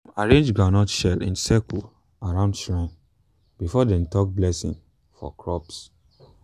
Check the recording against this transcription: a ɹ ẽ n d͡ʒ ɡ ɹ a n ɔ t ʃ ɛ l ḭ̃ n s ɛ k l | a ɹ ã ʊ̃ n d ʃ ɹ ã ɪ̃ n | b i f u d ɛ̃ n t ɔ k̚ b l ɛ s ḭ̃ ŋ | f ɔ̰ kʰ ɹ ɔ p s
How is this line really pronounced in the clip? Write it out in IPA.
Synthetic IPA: a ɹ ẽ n d͡ʒ ɡ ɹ a n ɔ t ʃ ɛ l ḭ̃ n s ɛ k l | a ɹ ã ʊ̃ n d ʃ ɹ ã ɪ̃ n | b i f ɔ d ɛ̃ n t ɔ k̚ b l ɛ s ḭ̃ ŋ | f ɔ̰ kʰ ɹ ɔ p s